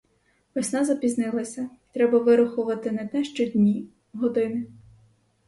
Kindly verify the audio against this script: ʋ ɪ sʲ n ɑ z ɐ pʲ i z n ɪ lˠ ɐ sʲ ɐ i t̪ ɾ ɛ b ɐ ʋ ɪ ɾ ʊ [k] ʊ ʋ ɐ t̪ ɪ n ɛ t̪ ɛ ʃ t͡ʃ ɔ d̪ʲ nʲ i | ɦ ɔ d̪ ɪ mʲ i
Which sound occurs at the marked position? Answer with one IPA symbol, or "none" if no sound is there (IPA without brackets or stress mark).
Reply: x